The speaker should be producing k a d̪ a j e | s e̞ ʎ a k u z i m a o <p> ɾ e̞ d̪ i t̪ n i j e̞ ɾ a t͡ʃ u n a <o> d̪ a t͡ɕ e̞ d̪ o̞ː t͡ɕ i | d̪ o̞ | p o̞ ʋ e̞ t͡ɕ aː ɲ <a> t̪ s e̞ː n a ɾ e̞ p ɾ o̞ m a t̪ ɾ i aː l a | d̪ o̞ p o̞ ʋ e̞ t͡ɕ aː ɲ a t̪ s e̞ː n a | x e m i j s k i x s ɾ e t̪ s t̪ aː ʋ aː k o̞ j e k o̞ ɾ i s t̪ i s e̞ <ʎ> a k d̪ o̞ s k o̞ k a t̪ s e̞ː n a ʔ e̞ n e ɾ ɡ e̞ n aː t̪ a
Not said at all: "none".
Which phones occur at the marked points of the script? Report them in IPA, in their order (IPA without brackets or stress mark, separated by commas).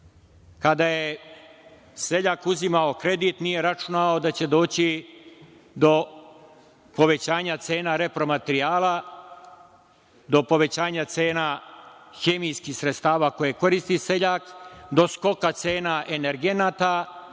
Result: k, o, a, ʎ